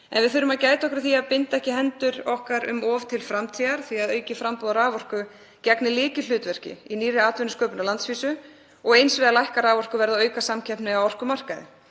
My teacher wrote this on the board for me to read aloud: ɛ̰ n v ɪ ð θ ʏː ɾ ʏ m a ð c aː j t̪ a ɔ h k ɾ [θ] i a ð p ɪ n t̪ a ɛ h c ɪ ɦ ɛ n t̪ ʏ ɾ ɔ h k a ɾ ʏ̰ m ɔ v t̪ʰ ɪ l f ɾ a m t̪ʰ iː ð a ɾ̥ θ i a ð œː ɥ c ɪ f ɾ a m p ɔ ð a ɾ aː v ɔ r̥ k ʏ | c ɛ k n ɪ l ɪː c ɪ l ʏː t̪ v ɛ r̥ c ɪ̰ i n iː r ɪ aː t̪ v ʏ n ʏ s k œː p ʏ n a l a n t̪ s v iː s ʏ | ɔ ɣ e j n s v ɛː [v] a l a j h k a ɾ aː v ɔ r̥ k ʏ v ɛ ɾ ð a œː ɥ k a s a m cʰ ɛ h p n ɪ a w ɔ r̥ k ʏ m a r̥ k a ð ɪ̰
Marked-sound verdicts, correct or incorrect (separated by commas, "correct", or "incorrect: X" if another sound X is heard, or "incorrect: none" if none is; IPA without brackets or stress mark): correct, incorrect: ð